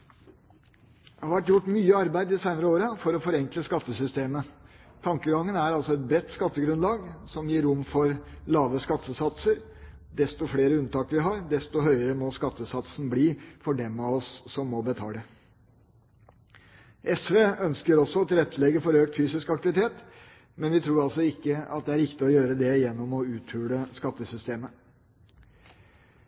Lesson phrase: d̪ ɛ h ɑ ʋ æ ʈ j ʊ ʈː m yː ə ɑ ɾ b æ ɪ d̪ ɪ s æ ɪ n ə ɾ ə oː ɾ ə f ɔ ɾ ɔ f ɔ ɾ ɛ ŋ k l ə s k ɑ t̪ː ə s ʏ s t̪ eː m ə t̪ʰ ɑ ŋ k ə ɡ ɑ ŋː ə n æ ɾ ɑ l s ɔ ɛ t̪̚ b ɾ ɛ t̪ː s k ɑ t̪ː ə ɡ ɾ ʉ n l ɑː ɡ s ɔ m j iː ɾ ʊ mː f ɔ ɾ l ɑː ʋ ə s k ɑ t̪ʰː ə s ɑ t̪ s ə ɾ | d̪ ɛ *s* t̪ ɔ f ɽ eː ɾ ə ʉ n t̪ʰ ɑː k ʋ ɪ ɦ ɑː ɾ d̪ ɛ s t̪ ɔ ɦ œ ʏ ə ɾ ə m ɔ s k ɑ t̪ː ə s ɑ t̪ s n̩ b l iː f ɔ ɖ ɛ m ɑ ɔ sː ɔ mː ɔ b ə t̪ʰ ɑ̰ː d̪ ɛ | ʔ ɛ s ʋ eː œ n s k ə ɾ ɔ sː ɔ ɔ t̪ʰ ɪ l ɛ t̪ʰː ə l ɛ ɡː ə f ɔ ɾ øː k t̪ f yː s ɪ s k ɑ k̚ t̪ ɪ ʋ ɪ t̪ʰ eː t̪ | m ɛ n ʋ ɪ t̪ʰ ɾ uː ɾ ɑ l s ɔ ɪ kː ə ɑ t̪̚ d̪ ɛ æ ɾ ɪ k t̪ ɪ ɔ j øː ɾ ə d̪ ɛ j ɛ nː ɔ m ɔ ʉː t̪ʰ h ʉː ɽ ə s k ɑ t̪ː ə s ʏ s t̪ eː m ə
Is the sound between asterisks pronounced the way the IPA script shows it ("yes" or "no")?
yes